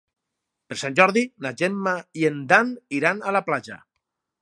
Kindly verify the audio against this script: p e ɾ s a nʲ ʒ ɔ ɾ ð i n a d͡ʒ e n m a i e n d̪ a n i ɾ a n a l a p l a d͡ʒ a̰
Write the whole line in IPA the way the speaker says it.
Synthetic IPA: p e ɾ s a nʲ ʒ ɔ ɾ ð i n a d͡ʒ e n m a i e n d̪ a n i ɾ a n a l a p l a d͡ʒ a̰